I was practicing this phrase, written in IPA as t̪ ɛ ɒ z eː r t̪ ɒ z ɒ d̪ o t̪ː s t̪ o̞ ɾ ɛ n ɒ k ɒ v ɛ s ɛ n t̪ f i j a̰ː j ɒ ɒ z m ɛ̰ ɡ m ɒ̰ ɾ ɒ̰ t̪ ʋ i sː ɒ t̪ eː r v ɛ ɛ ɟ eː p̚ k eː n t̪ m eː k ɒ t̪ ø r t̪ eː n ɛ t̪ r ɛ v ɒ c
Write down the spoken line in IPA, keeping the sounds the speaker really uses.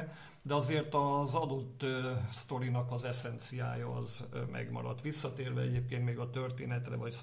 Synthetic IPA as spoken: d̪ ɛ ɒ z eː r t̪ ɒ z ɒ d̪ o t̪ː s t̪ o̞ ɾ i n ɒ k ɒ z ɛ s ɛ n t̪ s i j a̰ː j ɒ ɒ z m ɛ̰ ɡ m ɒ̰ ɾ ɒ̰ t̪ ʋ i sː ɒ t̪ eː r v ɛ ɛ ɟ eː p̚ k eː n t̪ m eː ɡ ɒ t̪ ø r t̪ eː n ɛ t̪ r ɛ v ɒ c